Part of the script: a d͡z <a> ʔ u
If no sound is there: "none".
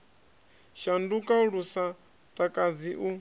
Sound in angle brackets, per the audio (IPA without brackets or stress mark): i